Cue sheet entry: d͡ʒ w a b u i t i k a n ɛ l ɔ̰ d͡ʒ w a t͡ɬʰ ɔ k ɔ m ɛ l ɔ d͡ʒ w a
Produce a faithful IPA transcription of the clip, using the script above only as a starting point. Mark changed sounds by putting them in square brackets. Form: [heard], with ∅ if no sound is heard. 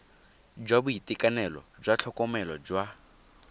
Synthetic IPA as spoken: d͡ʒ w a b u i t i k a n ɛ l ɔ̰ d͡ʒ w a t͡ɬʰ ɔ k ɔ m ɛ l ɔ d͡ʒ w a

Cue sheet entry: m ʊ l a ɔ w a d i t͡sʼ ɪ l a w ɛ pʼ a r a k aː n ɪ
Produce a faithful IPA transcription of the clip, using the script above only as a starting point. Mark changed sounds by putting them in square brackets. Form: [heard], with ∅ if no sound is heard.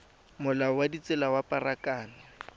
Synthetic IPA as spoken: m ʊ l a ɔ w a d i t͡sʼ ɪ l a w [a] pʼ a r a k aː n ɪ

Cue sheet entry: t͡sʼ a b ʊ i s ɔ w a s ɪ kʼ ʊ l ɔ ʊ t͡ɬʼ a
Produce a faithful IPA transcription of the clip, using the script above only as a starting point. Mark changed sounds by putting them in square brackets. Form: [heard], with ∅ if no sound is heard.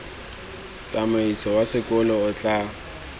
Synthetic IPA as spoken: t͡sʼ a [m] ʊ i s ɔ w a s ɪ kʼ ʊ l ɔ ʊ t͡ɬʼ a

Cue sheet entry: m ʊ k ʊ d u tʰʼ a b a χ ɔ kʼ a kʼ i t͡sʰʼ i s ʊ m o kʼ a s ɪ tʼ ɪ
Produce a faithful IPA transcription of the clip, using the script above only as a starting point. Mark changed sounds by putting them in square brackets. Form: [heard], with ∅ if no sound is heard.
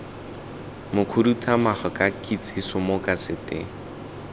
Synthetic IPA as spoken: m ʊ [kʰ] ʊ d u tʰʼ a [m] a χ ɔ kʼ a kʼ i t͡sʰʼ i s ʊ m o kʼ a s ɪ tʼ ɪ

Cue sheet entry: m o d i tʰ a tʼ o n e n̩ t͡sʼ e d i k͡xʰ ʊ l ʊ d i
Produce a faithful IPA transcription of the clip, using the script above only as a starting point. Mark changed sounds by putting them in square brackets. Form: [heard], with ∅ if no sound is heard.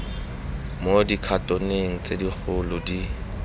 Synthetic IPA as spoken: m o d i [kʰ] a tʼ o n e [ŋ̩] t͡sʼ e d i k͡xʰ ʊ l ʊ d i

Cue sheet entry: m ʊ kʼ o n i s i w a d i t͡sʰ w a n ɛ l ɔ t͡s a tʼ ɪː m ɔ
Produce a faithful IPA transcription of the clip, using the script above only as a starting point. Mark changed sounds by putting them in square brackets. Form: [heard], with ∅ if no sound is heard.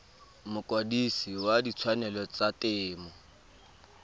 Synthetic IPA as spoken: m ʊ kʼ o [d] i s i w a d i t͡sʰ w a n ɛ l ɔ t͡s a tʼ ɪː m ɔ

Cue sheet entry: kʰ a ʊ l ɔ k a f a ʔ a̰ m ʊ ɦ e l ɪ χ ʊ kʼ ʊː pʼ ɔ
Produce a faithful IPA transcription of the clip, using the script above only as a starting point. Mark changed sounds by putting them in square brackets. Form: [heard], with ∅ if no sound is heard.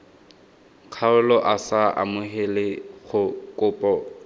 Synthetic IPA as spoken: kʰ a ʊ l ɔ [ʔ] a [s] a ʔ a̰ m ʊ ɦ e l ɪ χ ʊ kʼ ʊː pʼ ɔ

